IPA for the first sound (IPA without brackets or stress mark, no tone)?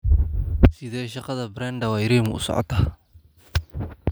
s